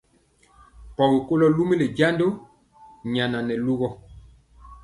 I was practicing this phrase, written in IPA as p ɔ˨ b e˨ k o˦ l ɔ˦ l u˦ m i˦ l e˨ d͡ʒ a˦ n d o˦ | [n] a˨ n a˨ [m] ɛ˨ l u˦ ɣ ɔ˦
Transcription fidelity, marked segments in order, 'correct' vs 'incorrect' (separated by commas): incorrect, incorrect